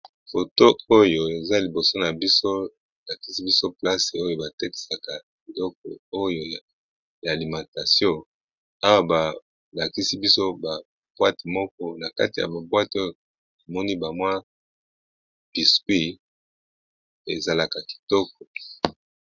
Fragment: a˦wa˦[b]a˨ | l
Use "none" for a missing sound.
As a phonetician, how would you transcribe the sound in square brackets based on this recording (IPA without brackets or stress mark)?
b